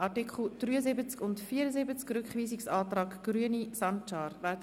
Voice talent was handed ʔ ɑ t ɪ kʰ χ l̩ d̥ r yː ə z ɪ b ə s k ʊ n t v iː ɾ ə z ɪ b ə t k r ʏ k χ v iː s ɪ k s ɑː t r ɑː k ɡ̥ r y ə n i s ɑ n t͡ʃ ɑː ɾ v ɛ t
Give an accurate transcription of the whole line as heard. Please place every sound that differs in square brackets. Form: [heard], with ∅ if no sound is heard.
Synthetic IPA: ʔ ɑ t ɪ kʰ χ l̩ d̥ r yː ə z ɪ b ə [t͡s] k ʊ n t [f] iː ɾ ə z ɪ b ə [t͡s] k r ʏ k χ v iː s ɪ k s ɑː t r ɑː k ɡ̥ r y ə n i s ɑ n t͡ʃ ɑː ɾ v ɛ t